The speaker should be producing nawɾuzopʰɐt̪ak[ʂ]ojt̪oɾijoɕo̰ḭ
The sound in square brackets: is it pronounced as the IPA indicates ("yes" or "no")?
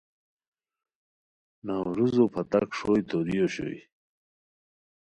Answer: yes